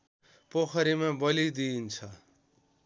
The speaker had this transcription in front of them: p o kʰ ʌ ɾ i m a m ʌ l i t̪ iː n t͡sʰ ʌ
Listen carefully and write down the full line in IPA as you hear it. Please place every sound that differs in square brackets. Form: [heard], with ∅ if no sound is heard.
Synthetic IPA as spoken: p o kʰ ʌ ɾ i m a [b] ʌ l i [d̪] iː n t͡sʰ ʌ